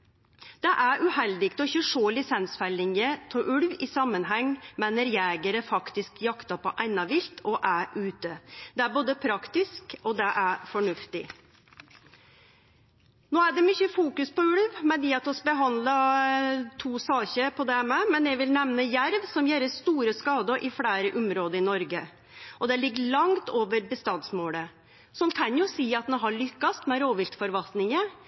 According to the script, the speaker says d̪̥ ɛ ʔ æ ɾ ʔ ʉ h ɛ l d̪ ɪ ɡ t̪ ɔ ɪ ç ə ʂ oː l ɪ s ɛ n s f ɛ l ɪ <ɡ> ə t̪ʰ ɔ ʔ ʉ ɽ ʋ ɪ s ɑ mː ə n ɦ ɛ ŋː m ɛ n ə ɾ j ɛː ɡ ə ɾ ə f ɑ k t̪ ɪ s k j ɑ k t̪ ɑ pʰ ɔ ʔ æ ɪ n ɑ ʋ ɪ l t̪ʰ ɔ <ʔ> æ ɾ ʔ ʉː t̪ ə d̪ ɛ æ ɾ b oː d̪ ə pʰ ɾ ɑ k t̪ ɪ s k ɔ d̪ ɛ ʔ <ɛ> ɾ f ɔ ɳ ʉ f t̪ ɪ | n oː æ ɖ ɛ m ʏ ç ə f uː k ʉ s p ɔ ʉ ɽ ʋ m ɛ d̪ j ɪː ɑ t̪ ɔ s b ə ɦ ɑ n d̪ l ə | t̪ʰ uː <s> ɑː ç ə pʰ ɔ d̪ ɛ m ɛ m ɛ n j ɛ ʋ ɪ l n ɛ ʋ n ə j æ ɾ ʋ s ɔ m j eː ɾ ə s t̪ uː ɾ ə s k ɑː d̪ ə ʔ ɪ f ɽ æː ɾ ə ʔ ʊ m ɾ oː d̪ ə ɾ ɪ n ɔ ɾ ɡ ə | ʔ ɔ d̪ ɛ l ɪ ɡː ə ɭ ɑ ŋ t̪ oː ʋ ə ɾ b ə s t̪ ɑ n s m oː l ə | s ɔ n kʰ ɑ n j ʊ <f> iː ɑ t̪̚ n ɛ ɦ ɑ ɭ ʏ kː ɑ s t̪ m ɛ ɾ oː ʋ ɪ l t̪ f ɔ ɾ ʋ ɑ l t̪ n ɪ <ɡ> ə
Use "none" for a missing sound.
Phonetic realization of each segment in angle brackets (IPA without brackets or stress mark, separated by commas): ŋ, ʔ, æ, s, s, ŋ